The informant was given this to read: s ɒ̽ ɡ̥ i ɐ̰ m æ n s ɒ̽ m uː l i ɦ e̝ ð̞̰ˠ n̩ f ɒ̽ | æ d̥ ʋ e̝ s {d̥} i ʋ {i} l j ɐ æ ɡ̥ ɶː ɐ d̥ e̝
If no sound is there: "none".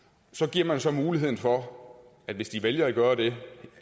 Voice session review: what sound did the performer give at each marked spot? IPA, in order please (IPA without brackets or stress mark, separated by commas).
d̥, e